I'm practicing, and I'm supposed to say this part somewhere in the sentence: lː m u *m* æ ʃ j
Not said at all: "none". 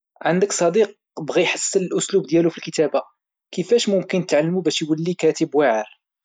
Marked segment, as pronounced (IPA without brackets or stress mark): b